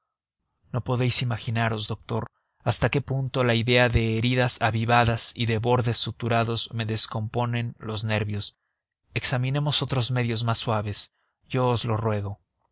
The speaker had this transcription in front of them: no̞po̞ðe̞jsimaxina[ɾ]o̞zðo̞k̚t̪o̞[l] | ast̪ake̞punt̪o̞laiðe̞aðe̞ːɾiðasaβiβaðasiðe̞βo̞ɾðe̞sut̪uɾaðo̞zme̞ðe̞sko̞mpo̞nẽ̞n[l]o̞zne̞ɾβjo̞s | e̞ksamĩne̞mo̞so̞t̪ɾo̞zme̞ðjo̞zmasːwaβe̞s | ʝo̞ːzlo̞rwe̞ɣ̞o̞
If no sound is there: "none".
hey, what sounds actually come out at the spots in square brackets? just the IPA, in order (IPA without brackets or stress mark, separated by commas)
ɾ, ɾ, l